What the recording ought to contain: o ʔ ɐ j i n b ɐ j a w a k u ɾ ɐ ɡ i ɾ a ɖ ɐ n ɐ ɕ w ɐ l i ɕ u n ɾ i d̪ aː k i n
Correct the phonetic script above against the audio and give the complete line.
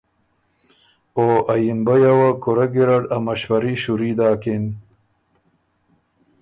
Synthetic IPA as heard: o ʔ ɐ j i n b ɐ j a w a k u ɾ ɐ ɡ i ɾ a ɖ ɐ m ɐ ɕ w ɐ ɾ i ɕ u ɾ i d̪ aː k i n